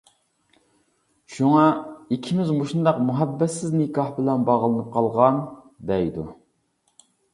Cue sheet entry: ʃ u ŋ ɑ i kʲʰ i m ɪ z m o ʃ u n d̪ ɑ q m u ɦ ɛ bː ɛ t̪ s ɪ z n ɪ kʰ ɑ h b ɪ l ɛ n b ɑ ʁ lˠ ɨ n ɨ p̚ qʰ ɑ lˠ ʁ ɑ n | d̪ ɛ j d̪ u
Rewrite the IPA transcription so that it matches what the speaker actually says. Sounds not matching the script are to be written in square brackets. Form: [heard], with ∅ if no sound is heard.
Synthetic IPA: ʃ u ŋ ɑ i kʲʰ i m ɪ z m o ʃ u n d̪ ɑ q m u ɦ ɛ bː ɛ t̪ s ɪ z n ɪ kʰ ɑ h b ɪ l ɛ n b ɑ ʁ lˠ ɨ n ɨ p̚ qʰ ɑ lˠ ʁ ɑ n | d̪ ɛ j d̪ u